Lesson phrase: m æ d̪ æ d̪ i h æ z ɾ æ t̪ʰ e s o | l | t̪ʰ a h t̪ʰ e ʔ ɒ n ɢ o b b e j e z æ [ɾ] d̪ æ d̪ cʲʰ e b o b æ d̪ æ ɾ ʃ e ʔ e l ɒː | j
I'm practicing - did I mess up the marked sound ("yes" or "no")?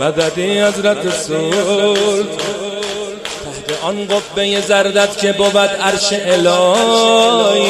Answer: no